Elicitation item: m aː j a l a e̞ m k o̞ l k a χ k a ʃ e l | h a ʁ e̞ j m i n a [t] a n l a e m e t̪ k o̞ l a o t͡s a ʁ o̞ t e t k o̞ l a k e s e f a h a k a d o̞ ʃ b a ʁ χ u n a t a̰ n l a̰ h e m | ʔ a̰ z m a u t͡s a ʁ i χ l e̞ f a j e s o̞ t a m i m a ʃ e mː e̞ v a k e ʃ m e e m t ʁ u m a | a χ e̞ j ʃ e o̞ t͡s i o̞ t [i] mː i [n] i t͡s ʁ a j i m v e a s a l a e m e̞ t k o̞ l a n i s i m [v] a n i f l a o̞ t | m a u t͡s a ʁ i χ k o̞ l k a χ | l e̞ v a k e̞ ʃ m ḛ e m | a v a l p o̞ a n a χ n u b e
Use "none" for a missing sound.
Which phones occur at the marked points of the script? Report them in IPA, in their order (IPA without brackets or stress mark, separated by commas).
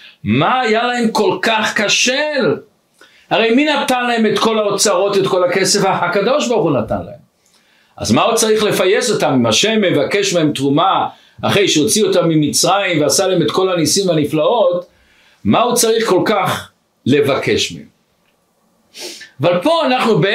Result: t, a, m, v